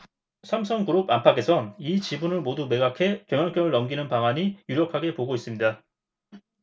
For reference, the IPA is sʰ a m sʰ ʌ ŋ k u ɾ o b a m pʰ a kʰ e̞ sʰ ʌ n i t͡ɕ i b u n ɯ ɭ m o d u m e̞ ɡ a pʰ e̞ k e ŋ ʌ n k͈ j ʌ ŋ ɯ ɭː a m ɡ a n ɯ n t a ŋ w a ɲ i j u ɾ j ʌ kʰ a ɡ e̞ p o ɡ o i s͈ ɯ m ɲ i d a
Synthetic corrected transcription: sʰ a m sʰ ʌ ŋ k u ɾ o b a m pʰ a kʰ e̞ sʰ ʌ n i t͡ɕ i b u n ɯ ɭ m o d u m e̞ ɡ a kʰ e̞ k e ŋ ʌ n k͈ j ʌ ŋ ɯ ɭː ʌ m ɡ i n ɯ n p a ŋ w a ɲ i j u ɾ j ʌ kʰ a ɡ e̞ p o ɡ o i s͈ ɯ m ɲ i d a